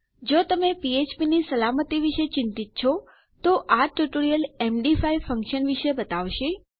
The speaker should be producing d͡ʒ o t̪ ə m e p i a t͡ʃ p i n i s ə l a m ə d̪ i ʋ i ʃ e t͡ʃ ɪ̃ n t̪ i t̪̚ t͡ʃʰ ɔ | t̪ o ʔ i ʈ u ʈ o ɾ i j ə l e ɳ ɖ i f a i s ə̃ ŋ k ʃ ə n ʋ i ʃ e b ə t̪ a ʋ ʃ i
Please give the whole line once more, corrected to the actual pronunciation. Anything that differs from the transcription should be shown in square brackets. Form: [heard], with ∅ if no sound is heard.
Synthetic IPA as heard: d͡ʒ o t̪ ə m e p i [e] t͡ʃ p i n i s ə l a m ə [t̪] i ʋ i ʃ e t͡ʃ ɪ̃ n t̪ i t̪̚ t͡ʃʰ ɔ | t̪ o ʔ [a] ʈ u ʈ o ɾ i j ə l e [m] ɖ i f a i [f] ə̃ ŋ k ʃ ə n ʋ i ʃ e b ə t̪ a ʋ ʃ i